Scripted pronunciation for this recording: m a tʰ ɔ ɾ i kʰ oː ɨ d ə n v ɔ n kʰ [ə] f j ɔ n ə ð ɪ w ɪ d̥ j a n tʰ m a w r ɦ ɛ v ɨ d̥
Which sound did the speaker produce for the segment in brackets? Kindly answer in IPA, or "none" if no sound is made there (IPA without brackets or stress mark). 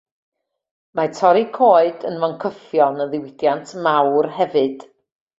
ə